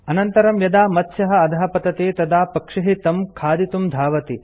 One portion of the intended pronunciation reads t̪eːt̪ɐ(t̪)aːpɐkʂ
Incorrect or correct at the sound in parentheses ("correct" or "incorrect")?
incorrect